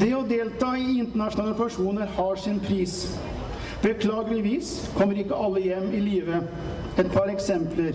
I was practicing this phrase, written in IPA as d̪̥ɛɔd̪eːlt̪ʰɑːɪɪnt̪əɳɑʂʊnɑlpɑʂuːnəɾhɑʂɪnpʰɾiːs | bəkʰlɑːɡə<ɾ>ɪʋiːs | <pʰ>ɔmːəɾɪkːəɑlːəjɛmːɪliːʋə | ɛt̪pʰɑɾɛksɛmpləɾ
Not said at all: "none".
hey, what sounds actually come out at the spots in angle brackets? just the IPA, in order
l, kʰ

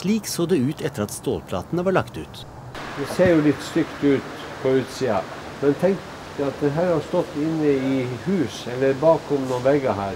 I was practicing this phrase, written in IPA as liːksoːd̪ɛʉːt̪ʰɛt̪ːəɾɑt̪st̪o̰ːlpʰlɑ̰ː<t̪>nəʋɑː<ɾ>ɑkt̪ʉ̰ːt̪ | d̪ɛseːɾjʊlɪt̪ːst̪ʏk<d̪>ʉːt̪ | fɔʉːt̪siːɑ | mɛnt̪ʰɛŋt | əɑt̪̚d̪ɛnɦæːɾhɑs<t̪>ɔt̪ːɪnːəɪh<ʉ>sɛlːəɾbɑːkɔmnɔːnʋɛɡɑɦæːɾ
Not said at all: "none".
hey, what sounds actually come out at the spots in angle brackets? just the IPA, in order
t̪, ɭ, t̪, t̪, ʉː

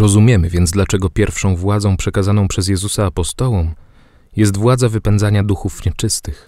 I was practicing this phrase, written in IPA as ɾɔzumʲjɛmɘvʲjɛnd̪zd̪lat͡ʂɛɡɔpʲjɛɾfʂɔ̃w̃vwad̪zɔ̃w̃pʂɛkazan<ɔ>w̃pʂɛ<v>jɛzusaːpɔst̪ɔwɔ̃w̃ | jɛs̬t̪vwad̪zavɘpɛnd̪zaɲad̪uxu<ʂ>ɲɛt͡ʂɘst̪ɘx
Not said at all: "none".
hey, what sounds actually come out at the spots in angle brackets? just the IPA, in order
ɔ̃, z, f

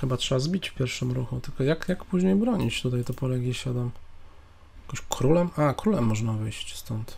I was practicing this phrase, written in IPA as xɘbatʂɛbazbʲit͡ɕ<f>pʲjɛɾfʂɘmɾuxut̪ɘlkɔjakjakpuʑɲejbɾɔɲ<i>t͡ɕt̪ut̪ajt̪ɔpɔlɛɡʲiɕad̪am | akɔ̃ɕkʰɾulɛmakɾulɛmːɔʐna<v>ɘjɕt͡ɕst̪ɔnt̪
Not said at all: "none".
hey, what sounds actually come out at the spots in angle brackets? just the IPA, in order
f, i, v

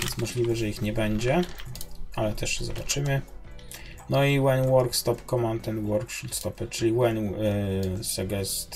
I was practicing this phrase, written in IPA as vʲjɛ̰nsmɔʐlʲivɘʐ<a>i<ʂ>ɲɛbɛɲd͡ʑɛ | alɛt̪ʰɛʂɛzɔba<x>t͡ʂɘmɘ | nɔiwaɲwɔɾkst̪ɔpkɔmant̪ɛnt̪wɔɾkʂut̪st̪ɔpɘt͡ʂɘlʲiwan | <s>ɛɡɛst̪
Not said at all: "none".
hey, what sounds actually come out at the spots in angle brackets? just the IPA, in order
ɛ, x, none, s

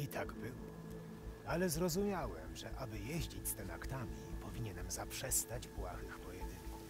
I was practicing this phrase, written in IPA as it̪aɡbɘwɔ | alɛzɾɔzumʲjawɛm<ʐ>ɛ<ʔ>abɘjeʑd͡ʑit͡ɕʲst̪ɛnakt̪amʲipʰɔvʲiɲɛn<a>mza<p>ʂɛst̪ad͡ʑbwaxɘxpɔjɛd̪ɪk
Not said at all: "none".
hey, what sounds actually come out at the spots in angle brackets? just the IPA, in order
ʐ, ʔ, ɛ, p

